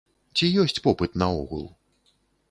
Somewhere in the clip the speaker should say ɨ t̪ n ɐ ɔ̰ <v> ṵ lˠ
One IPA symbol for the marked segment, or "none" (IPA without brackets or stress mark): ɣ